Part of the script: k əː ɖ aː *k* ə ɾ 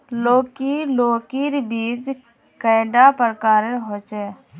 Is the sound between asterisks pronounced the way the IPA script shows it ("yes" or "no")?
no